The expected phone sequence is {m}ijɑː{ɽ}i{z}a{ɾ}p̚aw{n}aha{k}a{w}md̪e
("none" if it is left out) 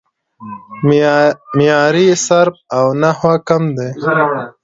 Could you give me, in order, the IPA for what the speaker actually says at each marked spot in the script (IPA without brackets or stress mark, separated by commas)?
m, ɾ, s, ɾ, n, k, none